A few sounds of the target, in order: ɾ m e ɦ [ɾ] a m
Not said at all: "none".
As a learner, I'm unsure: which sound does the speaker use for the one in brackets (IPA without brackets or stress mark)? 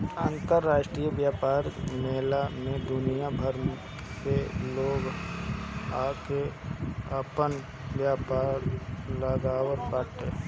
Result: l